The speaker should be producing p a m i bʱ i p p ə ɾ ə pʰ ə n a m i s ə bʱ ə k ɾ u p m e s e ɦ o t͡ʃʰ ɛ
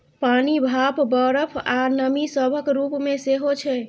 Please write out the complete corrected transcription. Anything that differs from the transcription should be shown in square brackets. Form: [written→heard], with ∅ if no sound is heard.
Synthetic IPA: p a [m→n] i bʱ [i→a] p [p→b] ə ɾ ə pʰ [ə→a] n [a→ə] m i s ə bʱ ə k ɾ u p m e s e ɦ o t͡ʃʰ ɛ